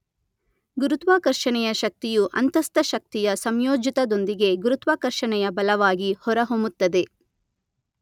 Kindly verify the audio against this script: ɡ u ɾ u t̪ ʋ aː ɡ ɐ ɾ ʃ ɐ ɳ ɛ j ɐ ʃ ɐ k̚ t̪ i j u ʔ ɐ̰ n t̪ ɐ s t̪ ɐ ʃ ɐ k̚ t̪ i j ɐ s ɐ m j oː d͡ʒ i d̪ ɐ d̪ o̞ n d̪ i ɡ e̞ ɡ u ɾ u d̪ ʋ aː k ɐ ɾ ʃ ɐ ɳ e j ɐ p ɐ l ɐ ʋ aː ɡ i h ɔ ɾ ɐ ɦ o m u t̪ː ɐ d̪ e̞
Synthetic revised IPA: ɡ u ɾ u t̪ ʋ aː k ɐ ɾ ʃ ɐ ɳ ɛ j ɐ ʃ ɐ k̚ t̪ i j u ʔ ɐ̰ n t̪ ɐ s t̪ ɐ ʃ ɐ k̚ t̪ i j ɐ s ɐ m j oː d͡ʒ i t̪ ɐ d̪ o̞ n d̪ i ɡ e̞ ɡ u ɾ u t̪ ʋ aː k ɐ ɾ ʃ ɐ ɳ ɛ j ɐ b ɐ l ɐ ʋ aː ɡ i h ɔ ɾ ɐ ɦ o m u t̪ː ɐ d̪ e̞